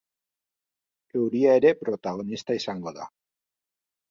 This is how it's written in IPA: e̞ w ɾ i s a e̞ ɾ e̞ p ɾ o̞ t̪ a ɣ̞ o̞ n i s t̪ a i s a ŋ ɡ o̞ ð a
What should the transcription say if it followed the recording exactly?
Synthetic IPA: e̞ w ɾ i a e̞ ɾ e̞ p ɾ o̞ t̪ a ɣ̞ o̞ n i s t̪ a i s a ŋ ɡ o̞ ð a